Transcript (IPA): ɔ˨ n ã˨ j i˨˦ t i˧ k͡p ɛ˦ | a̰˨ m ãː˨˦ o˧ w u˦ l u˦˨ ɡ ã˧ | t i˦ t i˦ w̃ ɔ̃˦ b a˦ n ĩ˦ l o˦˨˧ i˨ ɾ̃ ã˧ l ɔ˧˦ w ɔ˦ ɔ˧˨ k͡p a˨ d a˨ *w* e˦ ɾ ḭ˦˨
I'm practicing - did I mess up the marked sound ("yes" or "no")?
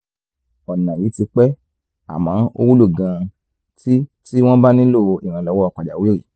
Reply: no